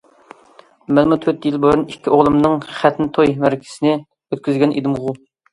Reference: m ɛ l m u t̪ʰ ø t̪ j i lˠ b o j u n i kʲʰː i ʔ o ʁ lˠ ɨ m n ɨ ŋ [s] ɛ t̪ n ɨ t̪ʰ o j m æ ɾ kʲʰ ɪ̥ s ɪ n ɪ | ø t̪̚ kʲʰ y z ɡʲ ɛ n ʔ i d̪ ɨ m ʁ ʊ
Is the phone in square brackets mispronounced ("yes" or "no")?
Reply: yes